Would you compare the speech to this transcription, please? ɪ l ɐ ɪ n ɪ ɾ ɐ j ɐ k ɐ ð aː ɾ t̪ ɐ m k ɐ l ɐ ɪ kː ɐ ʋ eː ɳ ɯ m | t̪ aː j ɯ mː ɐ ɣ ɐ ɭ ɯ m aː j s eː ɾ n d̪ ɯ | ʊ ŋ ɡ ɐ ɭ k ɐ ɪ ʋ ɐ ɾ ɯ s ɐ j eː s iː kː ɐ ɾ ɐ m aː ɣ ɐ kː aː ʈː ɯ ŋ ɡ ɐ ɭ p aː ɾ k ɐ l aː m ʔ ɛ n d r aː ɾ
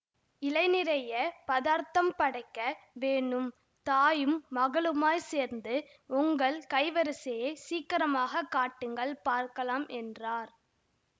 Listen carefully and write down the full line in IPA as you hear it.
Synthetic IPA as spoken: ɪ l ɐ ɪ n ɪ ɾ ɐ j ɐ p ɐ ð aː ɾ t̪ ɐ m p ɐ ɽ ɐ ɪ kː ɐ ʋ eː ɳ ɯ m | t̪ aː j ɯ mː ɐ ɣ ɐ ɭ ɯ m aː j s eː ɾ n d̪ ɯ | ʊ ŋ ɡ ɐ ɭ k ɐ ɪ ʋ ɐ ɾ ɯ s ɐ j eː s iː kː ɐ ɾ ɐ m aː ɣ ɐ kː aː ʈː ɯ ŋ ɡ ɐ ɭ p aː ɾ k ɐ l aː m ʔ ɛ n d r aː ɾ

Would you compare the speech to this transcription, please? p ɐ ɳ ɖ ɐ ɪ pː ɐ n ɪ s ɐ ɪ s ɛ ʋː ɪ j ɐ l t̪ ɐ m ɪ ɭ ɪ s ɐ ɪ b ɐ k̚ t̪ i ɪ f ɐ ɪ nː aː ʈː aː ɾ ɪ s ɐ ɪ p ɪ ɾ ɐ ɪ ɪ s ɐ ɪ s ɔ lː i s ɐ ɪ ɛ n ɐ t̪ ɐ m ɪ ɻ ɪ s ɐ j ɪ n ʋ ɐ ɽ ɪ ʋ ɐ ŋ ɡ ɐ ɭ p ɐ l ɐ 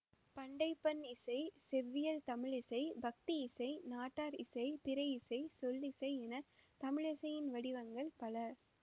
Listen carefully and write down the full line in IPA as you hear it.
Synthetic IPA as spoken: p ɐ ɳ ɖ ɐ ɪ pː ɐ n ɪ s ɐ ɪ s ɛ ʋː ɪ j ɐ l t̪ ɐ m ɪ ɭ ɪ s ɐ ɪ b ɐ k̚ t̪ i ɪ s ɐ ɪ n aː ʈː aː ɾ ɪ s ɐ ɪ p ɪ ɾ ɐ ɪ ɪ s ɐ ɪ s ɔ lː ɪ s ɐ ɪ ɛ n ɐ t̪ ɐ m ɪ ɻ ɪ s ɐ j ɪ n ʋ ɐ ɽ ɪ ʋ ɐ ŋ ɡ ɐ ɭ p ɐ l ɐ

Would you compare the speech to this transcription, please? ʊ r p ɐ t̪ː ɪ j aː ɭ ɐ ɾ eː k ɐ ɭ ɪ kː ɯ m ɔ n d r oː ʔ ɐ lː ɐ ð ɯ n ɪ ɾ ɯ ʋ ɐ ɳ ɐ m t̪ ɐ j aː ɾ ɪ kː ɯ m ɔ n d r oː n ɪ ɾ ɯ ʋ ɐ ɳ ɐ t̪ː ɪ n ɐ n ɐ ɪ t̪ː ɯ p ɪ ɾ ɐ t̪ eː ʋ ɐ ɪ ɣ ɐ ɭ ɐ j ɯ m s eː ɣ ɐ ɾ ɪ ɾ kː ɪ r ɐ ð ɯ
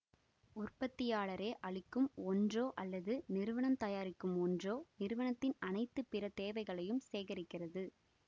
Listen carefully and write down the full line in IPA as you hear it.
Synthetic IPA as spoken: ʊ r p ɐ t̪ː ɪ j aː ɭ ɐ ɾ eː ʔ ɐ ɭ ɪ kː ɯ m ɔ n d r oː ʔ ɐ lː ɐ ð ɯ n ɪ ɾ ɯ ʋ ɐ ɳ ɐ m t̪ ɐ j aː ɾ ɪ kː ɯ m ɔ n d r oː n ɪ ɾ ɯ ʋ ɐ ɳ ɐ t̪ː ɪ n ɐ n ɐ ɪ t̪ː ɯ p ɪ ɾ ɐ t̪ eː ʋ ɐ ɪ ɣ ɐ ɭ ɐ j ɯ m s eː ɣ ɐ ɾ ɪ kː ɪ r ɐ ð ɯ

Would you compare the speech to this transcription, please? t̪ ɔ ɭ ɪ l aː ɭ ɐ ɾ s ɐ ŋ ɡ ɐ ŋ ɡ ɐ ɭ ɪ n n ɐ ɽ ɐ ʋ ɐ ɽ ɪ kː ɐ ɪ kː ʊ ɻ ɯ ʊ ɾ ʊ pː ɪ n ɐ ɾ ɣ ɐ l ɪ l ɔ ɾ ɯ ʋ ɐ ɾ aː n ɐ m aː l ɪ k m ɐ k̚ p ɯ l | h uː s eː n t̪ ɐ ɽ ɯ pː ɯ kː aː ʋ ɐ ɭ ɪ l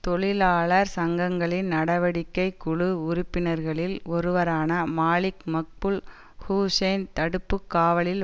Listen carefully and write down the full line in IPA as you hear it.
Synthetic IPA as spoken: t̪ ɔ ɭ ɪ l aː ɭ ɐ ɾ s ɐ ŋ ɡ ɐ ŋ ɡ ɐ ɭ ɪ n n ɐ ɽ ɐ ʋ ɐ ɽ ɪ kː ɐ ɪ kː ʊ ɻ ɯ ʊ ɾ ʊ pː ɪ n ɐ ɾ ɣ ɐ ɭ ɪ l ɔ ɾ ɯ ʋ ɐ ɾ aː n ɐ m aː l ɪ k m ɐ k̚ p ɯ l | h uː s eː n t̪ ɐ ɽ ɯ pː ɯ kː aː ʋ ɐ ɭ ɪ l

